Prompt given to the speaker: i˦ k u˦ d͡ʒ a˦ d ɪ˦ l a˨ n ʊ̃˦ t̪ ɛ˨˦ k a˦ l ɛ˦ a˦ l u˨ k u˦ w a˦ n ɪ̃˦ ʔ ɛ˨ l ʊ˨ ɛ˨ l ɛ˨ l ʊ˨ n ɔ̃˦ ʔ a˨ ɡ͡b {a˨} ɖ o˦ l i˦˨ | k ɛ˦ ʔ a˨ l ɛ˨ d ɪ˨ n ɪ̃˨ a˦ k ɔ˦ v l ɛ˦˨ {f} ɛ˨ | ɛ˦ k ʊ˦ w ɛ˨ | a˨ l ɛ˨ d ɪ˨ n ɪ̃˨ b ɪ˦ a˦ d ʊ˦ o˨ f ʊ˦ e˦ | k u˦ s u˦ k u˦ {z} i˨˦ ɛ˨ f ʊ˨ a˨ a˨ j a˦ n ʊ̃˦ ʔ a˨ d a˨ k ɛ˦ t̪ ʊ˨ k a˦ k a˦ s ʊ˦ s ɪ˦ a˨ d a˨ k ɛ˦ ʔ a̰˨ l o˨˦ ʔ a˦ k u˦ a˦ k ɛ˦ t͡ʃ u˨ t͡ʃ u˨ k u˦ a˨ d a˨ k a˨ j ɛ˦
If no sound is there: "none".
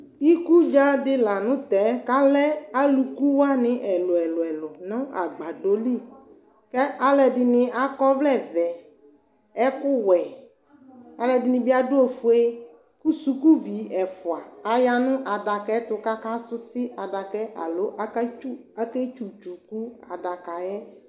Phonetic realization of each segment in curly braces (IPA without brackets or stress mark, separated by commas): a˨, v, v